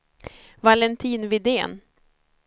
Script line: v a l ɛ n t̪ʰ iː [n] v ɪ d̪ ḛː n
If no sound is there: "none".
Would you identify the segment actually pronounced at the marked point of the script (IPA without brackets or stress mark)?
n